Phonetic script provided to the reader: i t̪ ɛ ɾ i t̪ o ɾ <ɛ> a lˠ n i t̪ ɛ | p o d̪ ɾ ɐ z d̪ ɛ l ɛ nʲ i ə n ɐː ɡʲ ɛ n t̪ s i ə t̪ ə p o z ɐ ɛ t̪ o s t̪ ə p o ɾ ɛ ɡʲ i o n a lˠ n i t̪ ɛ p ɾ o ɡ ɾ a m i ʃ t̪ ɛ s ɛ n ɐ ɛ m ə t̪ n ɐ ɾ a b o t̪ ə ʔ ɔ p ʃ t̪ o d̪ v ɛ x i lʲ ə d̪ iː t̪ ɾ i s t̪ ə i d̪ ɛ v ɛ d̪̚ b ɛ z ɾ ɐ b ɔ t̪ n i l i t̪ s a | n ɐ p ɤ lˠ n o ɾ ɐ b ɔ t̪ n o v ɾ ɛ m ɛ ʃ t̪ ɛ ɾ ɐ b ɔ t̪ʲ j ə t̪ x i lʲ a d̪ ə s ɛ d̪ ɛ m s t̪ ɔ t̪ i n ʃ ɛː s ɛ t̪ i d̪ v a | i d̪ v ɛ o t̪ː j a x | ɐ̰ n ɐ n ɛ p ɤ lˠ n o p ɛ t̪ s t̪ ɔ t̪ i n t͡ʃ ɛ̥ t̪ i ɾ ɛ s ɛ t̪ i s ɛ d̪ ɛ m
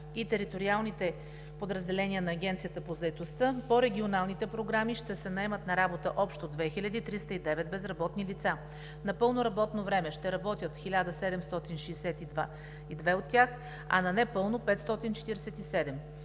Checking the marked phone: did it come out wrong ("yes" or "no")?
yes